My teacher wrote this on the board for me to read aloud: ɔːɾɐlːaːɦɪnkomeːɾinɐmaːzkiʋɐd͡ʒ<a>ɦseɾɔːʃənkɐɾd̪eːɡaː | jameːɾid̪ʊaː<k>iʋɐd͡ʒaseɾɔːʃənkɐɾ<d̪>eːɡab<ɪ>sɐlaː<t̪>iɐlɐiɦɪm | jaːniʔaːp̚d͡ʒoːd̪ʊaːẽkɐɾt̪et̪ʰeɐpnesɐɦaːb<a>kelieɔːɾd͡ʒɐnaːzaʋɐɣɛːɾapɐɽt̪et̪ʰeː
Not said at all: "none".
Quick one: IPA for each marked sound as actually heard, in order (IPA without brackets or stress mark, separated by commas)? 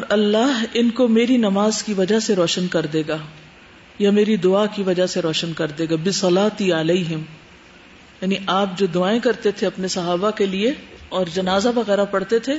a, k, d̪, ɪ, t̪, a